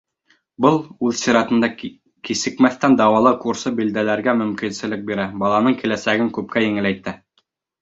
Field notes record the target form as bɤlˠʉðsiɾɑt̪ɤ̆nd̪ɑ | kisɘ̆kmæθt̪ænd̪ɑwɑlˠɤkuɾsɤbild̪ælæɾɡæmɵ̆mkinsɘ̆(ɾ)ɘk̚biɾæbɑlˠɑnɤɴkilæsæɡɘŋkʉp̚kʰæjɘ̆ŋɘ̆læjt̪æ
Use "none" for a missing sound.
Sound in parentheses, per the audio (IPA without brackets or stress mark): l